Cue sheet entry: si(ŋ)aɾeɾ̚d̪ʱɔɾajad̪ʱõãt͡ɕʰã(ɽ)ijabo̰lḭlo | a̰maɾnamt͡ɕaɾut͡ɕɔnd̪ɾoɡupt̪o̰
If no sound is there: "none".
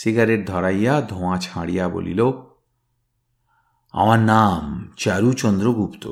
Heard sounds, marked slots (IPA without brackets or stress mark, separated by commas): ɡ, ɽ